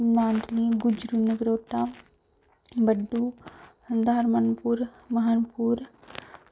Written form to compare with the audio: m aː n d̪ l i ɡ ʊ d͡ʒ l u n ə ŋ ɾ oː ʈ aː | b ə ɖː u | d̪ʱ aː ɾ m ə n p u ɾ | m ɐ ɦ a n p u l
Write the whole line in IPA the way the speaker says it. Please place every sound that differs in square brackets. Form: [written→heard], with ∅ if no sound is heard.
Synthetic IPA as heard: m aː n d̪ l i ɡ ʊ d͡ʒ [l→ɾ] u n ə [ŋ→ɡ] ɾ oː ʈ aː | b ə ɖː u | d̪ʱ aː ɾ m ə n p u ɾ | m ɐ ɦ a n p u [l→ɾ]